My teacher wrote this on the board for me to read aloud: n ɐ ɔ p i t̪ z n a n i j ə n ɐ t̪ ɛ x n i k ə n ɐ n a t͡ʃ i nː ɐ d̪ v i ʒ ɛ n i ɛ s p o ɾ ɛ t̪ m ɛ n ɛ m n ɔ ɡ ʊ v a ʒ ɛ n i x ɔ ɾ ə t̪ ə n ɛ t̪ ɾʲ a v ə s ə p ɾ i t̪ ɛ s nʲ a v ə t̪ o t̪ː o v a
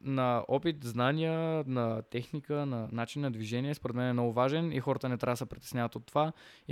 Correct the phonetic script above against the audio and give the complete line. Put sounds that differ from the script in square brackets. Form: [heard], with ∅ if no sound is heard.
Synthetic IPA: n ɐ ɔ p i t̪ z n a n i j ə n ɐ t̪ ɛ x n i k ə n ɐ n a t͡ʃ i nː ɐ d̪ v i ʒ ɛ n i ɛ s p o ɾ ɛ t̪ m ɛ n ɛ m n ɔ ɡ ʊ v a ʒ ɛ n i x ɔ ɾ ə t̪ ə n ɛ t̪ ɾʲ a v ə s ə p ɾ i t̪ ɛ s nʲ a v ə t̪ o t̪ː o v a